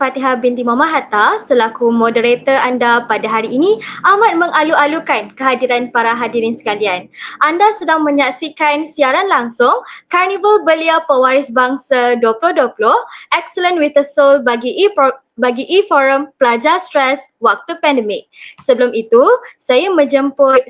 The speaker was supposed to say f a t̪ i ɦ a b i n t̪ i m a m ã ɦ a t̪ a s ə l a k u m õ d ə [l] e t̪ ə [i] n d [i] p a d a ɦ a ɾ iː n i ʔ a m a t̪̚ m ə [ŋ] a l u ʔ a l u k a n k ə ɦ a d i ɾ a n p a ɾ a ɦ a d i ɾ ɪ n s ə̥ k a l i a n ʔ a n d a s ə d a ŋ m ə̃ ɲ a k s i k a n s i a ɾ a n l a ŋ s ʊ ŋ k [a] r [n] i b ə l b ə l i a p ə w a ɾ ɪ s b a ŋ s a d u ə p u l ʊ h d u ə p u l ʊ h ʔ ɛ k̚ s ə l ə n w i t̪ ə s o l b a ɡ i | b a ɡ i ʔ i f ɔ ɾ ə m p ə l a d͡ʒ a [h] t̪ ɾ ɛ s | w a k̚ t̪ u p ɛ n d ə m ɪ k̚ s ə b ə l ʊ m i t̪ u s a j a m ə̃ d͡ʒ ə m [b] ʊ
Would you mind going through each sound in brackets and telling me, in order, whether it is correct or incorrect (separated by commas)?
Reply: incorrect, incorrect, incorrect, correct, correct, correct, incorrect, incorrect